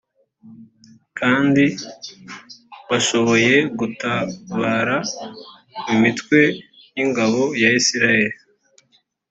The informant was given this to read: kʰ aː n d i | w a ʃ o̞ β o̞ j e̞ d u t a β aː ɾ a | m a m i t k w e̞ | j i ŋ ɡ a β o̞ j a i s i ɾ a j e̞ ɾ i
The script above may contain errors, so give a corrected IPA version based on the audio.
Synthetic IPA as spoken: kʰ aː n d i | β a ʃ o̞ β o̞ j e̞ ɡ u t a β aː ɾ a | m i m i t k w e̞ | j i ŋ ɡ a β o̞ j a i s i ɾ a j e̞ ɾ i